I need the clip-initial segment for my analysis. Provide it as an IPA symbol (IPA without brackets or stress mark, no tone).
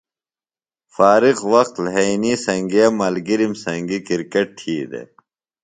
f